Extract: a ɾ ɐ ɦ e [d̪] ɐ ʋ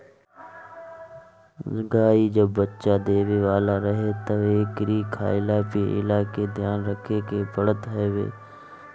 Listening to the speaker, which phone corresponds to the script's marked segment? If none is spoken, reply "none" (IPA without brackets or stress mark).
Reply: t̪